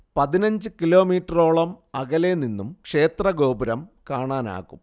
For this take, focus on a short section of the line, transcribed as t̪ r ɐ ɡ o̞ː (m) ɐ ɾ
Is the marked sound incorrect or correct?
incorrect